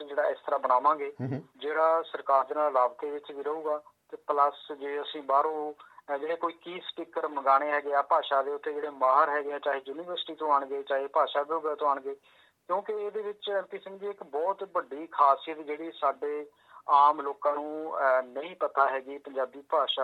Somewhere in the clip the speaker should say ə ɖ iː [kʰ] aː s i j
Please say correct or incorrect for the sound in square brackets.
correct